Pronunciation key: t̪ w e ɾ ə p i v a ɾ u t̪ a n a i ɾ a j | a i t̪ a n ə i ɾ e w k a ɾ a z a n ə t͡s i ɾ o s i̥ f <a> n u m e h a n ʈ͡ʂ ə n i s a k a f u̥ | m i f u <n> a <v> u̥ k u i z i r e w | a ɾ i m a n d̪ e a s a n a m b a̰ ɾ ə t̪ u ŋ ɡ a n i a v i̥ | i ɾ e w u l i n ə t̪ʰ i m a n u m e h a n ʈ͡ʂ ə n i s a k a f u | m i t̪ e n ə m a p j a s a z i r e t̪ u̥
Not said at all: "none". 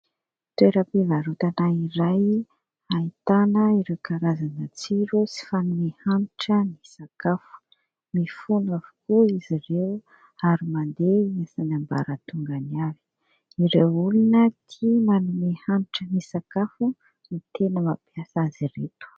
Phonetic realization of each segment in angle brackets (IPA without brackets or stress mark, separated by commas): a, n, v